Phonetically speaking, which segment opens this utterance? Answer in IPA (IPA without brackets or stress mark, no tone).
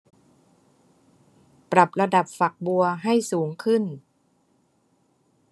p